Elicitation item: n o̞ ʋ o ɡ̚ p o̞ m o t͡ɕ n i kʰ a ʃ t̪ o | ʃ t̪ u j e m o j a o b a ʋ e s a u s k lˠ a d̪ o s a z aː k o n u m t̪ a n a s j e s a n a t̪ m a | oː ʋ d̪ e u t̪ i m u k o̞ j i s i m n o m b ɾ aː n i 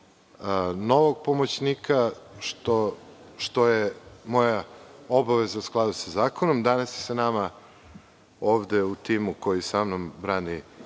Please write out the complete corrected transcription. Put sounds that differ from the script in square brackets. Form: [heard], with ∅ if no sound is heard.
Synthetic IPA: n o̞ ʋ o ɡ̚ p o̞ m o t͡ɕ n i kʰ a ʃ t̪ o | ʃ t̪ [o] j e m o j a o b a ʋ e [z] a u s k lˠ a d̪ [u] s a z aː k o n [o] m [d̪] a n a s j e s a n a [∅] m a | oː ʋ d̪ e u t̪ i m u k o̞ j i s [a] m n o m b ɾ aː n i